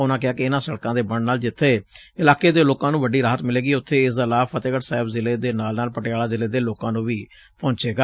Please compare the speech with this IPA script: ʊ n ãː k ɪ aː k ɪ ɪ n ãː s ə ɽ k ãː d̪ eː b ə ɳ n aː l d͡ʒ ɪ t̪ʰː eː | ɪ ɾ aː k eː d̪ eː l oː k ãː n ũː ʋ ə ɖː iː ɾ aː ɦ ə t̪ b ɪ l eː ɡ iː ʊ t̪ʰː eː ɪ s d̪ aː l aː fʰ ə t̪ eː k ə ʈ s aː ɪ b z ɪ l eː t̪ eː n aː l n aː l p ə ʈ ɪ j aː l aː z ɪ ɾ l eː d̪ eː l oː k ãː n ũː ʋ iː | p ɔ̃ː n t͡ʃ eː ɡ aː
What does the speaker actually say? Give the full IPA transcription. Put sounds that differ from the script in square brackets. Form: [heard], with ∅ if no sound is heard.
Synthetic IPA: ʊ n ãː k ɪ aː k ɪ ɪ n ãː s ə ɽ k ãː d̪ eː b ə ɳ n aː l d͡ʒ ɪ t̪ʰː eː | ɪ [l] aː k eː d̪ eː l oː k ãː n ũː ʋ ə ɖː iː ɾ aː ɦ ə t̪ [m] ɪ l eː ɡ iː ʊ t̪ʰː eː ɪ s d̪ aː l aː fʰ ə t̪ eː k ə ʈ s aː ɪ b z ɪ l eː [d̪] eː n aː l n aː l p ə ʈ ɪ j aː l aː z ɪ [∅] l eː d̪ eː l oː k ãː n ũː ʋ iː | p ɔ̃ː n t͡ʃ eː ɡ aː